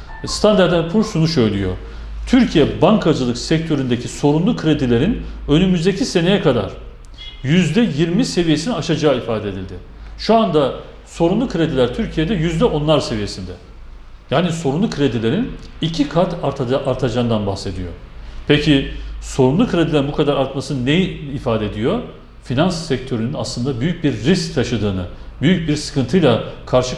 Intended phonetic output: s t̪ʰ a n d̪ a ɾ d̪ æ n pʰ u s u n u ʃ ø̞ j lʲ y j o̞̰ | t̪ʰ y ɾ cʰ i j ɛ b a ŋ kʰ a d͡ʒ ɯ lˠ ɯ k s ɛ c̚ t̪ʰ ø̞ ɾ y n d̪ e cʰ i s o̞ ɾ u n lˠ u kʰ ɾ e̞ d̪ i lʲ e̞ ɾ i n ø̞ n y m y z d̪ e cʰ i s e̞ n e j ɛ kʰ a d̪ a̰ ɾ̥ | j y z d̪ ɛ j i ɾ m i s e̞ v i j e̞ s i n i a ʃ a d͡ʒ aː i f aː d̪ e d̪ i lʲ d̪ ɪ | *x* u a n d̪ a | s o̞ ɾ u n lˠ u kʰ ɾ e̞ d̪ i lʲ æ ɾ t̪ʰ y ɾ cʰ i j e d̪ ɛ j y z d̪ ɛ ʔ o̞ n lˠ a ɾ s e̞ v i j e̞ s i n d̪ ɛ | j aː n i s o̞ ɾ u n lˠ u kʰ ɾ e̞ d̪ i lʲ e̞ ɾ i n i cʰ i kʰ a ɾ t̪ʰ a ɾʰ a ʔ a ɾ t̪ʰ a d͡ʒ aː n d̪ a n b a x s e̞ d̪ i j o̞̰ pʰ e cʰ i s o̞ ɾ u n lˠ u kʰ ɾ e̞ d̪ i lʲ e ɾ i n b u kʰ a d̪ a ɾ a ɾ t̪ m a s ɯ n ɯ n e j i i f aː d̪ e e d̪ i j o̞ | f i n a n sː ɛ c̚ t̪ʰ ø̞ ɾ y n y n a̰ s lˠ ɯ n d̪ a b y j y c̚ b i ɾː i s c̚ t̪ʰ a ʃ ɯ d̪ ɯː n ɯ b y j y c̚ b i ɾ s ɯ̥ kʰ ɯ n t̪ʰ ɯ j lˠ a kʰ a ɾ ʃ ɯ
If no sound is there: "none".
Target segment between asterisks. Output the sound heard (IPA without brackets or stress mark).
ʃ